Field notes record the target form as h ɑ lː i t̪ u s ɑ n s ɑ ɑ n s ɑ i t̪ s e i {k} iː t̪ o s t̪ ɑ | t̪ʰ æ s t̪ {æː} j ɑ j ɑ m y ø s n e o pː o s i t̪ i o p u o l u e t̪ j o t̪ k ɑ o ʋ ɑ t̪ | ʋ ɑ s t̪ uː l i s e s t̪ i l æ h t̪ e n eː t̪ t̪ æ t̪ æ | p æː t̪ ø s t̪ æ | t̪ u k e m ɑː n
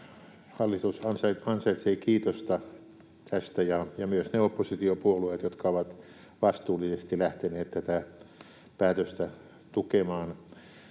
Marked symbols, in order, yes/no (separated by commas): yes, no